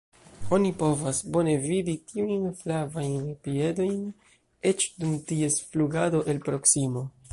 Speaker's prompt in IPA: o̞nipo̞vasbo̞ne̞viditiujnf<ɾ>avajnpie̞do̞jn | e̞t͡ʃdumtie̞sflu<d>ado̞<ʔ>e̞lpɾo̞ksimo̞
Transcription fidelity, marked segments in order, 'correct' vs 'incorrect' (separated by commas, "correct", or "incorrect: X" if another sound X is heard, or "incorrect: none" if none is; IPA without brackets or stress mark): incorrect: l, incorrect: ɡ, correct